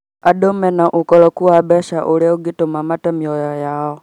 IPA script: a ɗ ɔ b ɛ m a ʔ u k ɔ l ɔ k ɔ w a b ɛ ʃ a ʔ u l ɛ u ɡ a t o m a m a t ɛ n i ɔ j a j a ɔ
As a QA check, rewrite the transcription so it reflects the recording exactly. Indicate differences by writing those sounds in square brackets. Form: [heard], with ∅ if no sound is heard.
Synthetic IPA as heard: a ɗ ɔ [m] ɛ [n] a ʔ u k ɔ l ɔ k [u] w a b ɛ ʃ a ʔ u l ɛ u ɡ [i] t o m a m a t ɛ [m] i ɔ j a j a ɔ